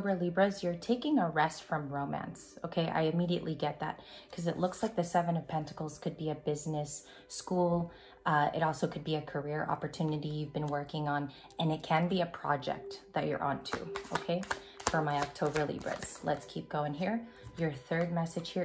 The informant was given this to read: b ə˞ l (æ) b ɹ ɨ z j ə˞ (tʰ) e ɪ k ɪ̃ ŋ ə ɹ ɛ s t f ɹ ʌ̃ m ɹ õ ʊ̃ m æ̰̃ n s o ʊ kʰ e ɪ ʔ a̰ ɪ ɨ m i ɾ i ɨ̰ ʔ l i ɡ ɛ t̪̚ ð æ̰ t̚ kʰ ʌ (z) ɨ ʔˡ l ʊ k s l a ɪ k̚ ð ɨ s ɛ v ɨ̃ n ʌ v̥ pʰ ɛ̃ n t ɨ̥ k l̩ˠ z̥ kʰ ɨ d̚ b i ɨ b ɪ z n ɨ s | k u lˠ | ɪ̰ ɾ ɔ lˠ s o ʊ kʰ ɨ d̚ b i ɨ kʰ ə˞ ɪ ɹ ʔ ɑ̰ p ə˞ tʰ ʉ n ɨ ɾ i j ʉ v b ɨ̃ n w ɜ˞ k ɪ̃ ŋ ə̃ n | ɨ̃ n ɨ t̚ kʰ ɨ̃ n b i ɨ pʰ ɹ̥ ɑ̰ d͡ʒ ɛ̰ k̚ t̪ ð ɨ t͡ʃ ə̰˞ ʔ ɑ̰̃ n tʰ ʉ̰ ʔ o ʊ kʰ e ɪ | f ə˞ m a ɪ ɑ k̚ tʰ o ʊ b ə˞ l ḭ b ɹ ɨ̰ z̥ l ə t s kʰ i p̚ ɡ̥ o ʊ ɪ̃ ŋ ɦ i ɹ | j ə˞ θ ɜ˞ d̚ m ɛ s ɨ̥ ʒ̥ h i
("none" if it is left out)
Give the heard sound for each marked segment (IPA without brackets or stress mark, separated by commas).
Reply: i, tʰ, z